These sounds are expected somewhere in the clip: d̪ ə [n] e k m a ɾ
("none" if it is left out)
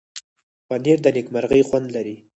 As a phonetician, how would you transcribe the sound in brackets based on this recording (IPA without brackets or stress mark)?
n